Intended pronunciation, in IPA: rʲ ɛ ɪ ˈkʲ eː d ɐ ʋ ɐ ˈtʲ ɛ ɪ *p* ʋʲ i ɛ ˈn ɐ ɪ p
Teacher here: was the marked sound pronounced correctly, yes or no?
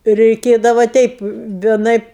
yes